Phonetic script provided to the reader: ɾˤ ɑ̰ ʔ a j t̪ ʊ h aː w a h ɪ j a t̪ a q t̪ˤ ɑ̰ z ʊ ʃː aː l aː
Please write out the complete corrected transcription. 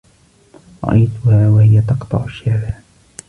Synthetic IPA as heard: ɾˤ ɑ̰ ʔ a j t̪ ʊ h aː w a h ɪ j a t̪ ɑ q t̪ˤ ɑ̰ ʕ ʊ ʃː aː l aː